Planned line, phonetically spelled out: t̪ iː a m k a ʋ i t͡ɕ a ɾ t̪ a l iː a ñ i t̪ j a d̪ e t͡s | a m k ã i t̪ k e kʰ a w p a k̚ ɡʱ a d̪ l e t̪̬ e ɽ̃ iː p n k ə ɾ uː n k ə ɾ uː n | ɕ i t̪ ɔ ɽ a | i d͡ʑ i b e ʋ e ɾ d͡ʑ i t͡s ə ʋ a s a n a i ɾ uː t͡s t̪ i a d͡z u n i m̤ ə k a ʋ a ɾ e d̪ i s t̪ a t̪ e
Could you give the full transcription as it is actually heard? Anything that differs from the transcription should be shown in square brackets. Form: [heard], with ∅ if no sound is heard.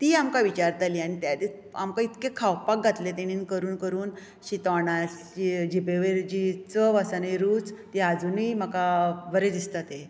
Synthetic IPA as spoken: t̪ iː a m k a ʋ i t͡ɕ a ɾ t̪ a l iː a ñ i t̪ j a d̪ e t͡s | a m k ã i t̪ k e kʰ a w p a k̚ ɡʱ a [t̪] l e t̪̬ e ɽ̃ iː [∅] n k ə ɾ uː n k ə ɾ uː n | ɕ i t̪ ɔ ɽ a | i d͡ʑ i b e ʋ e ɾ d͡ʑ i t͡s ə ʋ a s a n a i ɾ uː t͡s t̪ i a d͡z u n i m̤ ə k a ʋ [ə] ɾ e d̪ i s t̪ a t̪ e